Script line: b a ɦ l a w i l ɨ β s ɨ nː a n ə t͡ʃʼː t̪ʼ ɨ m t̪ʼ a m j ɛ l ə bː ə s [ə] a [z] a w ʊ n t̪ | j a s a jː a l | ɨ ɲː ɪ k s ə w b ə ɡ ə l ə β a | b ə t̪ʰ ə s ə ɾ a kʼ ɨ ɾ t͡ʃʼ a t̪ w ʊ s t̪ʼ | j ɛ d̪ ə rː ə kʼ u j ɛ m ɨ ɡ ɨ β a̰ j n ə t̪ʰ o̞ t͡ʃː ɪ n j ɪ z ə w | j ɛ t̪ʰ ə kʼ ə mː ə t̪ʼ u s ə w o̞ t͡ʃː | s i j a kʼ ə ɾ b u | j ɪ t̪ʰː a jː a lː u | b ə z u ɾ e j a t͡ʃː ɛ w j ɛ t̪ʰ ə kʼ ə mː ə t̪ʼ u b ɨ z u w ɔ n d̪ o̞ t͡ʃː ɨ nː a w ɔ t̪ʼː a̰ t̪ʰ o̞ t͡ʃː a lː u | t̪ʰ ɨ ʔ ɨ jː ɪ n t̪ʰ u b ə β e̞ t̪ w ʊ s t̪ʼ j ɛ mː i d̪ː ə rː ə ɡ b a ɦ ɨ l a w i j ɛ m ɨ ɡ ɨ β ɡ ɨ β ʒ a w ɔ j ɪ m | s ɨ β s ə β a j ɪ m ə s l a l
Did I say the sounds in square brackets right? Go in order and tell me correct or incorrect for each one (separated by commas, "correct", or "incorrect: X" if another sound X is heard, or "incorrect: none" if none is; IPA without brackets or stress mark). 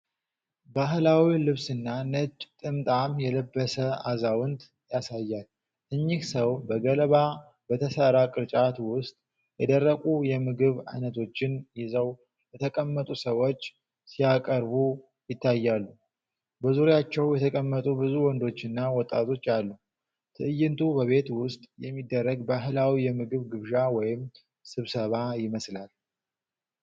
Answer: correct, correct